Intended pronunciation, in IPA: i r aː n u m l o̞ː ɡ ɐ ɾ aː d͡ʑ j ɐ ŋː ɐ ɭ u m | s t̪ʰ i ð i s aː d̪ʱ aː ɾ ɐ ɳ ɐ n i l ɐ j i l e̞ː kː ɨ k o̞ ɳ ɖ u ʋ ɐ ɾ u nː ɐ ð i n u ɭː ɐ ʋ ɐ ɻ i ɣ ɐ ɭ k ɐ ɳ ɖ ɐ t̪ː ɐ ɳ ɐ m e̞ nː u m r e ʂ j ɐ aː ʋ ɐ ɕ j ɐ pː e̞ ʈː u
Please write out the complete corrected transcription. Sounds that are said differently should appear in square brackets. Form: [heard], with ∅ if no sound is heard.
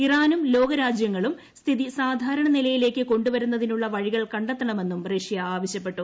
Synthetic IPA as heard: i r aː n u m l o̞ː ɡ ɐ ɾ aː d͡ʑ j ɐ ŋː ɐ ɭ u m | s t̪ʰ i ð i s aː d̪ʱ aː ɾ ɐ ɳ ɐ n i l ɐ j i l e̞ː kː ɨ k o̞ ɳ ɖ u ʋ ɐ ɾ u nː ɐ ð i n u ɭː ɐ ʋ ɐ ɻ i ɣ ɐ ɭ k ɐ ɳ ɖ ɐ t̪ː ɐ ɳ ɐ m e̞ nː u m r e ʂ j ɐ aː ʋ ɐ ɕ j ɐ pː e̞ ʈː u